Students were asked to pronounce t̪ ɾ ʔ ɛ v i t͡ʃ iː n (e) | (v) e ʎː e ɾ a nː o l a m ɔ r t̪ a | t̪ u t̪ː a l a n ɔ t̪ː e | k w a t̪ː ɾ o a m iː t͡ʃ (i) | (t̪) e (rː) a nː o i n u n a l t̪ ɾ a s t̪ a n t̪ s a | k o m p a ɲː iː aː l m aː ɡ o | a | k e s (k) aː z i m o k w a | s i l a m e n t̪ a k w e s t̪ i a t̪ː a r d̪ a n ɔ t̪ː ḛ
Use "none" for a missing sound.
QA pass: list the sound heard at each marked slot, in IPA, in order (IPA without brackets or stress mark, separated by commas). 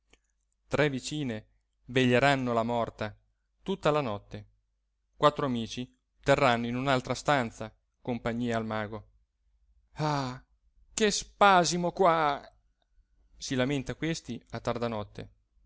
e, v, i, t̪, rː, p